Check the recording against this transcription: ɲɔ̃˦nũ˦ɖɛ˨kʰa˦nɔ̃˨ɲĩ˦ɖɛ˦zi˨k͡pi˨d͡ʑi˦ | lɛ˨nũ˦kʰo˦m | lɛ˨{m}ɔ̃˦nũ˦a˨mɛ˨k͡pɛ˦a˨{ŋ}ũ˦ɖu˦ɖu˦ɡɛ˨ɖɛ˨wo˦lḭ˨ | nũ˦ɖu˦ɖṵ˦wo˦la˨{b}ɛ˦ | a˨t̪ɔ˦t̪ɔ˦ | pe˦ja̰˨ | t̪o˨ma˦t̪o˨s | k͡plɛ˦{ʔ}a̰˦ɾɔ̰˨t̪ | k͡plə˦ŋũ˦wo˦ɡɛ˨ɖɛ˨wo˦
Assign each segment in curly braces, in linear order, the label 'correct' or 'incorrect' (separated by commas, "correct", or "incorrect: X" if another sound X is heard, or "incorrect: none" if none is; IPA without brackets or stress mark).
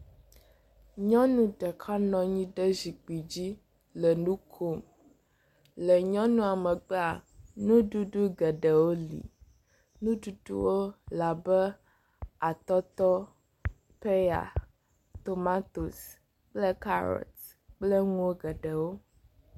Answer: incorrect: ɲ, incorrect: n, correct, incorrect: k